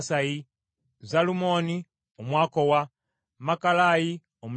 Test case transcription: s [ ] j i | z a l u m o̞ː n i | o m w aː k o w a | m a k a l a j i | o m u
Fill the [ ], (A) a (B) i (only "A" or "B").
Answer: A